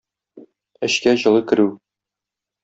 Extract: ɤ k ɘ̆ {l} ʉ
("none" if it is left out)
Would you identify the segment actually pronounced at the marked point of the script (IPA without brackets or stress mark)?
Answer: ɾ